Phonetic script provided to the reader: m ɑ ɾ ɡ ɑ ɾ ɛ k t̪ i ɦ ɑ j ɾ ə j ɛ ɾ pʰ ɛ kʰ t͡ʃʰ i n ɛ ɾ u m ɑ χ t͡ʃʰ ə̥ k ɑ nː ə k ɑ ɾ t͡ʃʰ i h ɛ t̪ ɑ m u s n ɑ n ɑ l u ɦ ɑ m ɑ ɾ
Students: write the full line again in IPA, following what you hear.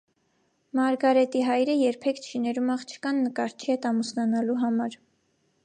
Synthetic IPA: m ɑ ɾ ɡ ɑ ɾ ɛ t̪ i ɦ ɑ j ɾ ə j ɛ ɾ pʰ ɛ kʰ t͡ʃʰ i n ɛ ɾ u m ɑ χ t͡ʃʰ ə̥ k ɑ nː ə k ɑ ɾ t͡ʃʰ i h ɛ t̪ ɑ m u s n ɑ n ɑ l u ɦ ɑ m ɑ ɾ